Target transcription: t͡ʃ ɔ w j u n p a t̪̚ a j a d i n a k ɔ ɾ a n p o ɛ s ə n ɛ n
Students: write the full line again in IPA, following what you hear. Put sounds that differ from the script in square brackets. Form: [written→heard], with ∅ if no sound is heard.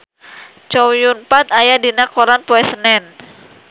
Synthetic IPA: t͡ʃ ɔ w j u n p a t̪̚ a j a d i n a k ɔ ɾ a n p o ɛ s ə n ɛ n